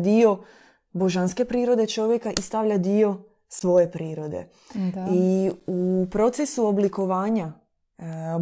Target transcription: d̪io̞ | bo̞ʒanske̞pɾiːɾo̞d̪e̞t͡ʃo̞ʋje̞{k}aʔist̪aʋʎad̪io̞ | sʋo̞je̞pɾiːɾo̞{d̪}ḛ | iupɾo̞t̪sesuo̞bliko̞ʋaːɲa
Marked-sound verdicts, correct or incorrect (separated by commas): correct, correct